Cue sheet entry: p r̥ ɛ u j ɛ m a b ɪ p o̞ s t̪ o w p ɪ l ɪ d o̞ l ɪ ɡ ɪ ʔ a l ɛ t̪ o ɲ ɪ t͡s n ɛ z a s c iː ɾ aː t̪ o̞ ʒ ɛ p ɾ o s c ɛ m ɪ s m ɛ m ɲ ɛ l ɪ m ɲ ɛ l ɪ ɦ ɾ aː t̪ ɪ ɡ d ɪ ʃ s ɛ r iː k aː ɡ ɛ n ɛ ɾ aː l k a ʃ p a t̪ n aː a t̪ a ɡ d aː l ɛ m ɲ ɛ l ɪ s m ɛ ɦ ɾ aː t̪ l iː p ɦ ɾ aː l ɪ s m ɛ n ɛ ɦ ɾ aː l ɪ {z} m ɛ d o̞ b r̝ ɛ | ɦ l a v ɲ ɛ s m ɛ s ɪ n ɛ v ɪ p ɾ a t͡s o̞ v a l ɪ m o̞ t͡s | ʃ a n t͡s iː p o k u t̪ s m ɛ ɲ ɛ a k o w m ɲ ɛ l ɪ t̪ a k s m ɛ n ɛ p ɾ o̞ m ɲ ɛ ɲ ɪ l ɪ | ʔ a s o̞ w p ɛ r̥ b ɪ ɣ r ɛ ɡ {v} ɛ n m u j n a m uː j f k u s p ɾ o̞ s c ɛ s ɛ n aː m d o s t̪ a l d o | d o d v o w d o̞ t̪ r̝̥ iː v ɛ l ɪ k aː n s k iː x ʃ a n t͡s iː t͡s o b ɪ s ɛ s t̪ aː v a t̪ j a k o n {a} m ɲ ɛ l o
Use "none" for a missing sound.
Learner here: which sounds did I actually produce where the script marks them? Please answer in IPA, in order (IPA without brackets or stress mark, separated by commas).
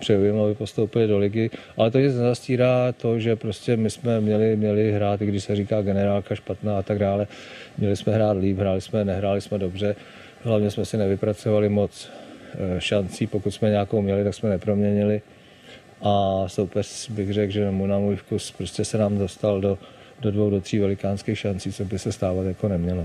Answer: s, ʒ, ɛ